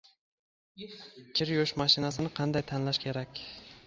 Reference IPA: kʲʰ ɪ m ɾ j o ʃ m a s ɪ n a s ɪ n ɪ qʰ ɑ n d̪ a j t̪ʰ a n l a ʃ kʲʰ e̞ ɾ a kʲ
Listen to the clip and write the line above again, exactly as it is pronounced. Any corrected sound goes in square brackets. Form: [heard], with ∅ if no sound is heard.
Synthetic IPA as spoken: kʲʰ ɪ [∅] ɾ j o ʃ m a [ʃ] ɪ n a s ɪ n ɪ qʰ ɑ n d̪ a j t̪ʰ a n l a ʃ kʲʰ e̞ ɾ a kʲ